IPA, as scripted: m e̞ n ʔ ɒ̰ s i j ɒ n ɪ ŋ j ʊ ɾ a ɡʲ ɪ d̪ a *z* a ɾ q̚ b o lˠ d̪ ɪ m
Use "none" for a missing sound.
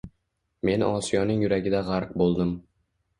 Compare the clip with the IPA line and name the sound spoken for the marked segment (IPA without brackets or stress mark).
ʁ